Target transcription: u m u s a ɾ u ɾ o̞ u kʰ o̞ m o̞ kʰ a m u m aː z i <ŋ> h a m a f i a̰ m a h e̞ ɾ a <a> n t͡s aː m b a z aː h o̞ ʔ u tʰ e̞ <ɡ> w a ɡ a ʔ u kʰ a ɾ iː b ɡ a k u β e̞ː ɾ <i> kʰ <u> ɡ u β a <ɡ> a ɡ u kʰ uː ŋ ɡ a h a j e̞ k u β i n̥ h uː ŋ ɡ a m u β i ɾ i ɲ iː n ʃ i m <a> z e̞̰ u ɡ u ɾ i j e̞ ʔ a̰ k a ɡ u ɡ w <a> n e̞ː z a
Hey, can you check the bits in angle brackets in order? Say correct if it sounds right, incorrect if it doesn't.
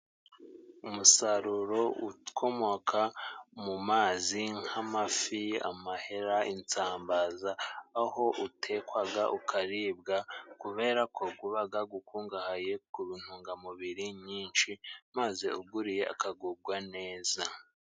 correct, incorrect, incorrect, incorrect, incorrect, correct, correct, correct

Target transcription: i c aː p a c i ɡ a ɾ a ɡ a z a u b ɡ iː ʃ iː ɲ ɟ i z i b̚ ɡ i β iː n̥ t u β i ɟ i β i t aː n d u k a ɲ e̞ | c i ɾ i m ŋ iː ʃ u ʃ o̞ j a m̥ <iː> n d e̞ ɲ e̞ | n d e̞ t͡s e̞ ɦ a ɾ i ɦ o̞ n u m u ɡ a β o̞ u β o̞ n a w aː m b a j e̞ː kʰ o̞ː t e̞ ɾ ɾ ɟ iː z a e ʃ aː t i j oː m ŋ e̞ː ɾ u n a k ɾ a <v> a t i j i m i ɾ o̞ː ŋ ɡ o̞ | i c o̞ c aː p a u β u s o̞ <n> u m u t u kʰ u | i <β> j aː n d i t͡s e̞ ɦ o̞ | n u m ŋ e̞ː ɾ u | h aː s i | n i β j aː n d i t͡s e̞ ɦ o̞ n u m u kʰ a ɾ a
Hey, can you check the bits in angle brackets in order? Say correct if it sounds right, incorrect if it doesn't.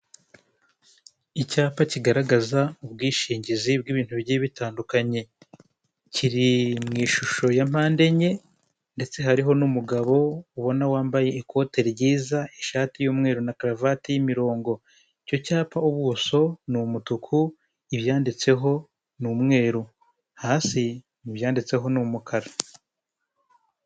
incorrect, correct, correct, correct

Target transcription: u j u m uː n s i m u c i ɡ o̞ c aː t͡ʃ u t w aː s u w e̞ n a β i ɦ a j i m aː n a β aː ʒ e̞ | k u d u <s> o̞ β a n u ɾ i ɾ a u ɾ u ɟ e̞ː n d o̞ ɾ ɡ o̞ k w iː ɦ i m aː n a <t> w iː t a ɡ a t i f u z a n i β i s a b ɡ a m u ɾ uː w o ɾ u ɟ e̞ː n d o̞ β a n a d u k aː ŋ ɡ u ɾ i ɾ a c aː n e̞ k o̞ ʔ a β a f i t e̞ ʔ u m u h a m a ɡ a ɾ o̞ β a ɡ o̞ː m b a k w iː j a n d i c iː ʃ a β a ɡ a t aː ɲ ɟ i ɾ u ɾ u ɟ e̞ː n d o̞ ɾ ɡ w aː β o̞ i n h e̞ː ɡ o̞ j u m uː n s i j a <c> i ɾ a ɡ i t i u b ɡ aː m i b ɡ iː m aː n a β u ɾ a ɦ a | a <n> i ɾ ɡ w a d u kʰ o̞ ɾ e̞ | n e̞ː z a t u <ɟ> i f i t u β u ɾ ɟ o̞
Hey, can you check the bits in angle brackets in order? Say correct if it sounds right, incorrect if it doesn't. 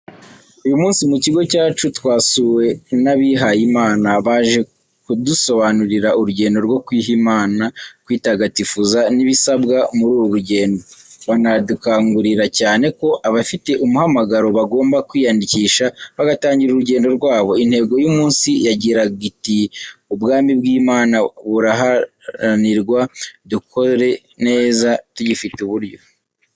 correct, incorrect, incorrect, correct, correct

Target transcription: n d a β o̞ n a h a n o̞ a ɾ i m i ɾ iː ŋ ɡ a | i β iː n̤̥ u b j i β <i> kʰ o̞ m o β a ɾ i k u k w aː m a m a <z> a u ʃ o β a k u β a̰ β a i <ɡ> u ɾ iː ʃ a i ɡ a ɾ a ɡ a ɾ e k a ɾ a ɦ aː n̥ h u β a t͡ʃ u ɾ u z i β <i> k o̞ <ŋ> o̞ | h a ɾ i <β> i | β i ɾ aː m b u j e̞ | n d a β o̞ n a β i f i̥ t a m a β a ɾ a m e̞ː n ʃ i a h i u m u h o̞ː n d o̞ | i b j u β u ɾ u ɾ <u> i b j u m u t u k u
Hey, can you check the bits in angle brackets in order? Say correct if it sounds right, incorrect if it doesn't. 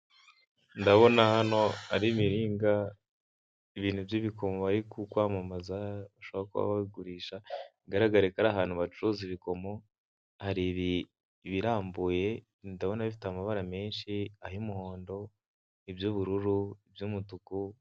correct, correct, correct, correct, incorrect, correct, correct

